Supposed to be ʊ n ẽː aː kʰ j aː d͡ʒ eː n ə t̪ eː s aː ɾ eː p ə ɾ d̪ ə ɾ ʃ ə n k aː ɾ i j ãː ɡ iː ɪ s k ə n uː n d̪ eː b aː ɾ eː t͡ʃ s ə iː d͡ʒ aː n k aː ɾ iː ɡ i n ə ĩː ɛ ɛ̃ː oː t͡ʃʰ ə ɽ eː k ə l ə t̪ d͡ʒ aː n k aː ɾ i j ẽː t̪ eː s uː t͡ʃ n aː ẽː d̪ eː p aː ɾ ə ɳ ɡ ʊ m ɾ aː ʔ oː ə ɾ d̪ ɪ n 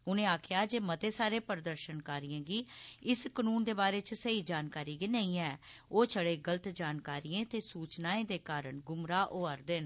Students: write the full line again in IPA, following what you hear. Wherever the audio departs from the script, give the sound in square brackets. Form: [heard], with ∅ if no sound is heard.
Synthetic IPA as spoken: ʊ n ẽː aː kʰ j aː d͡ʒ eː [m] ə t̪ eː s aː ɾ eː p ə ɾ d̪ ə ɾ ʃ ə n k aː ɾ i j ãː ɡ iː ɪ s k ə n uː n d̪ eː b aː ɾ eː t͡ʃ s ə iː d͡ʒ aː n k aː ɾ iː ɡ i n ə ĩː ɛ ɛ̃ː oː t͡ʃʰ ə ɽ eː [ɡ] ə l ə t̪ d͡ʒ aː n k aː ɾ i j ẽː t̪ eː s uː t͡ʃ n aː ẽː d̪ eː [k] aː ɾ ə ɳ ɡ ʊ m ɾ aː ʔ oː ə ɾ d̪ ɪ n